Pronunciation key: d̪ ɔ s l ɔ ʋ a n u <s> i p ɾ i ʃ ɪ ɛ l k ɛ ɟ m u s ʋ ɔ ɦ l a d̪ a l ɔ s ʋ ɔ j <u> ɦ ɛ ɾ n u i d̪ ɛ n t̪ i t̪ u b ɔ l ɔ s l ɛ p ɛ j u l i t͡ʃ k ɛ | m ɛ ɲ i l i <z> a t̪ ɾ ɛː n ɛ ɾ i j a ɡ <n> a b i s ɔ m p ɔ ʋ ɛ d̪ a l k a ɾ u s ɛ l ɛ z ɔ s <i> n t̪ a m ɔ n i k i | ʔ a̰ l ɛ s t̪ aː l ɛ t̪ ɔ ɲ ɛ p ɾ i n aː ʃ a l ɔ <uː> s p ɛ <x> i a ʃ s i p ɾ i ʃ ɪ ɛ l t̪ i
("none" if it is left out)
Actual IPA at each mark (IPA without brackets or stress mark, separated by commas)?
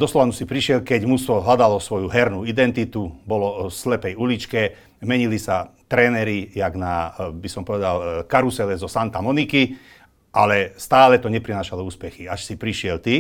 s, u, s, n, a, uː, x